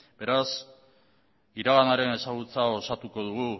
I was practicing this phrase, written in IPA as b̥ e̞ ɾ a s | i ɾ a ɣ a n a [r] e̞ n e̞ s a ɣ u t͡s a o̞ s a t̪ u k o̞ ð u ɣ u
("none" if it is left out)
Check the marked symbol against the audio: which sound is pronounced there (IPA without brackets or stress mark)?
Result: ɾ